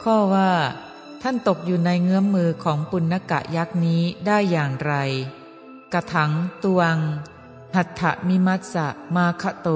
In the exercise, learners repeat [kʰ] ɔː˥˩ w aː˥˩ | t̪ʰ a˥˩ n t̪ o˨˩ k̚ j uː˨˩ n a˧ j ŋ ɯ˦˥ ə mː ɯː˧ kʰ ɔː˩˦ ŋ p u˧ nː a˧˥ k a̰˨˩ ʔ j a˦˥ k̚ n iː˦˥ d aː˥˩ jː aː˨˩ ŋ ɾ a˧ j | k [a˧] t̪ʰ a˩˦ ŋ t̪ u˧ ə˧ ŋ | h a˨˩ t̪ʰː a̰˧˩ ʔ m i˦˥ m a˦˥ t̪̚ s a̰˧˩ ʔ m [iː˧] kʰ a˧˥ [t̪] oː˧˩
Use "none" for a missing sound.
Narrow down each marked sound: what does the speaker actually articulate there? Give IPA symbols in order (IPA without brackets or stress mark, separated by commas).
kʰ, a˧, aː˧, t̪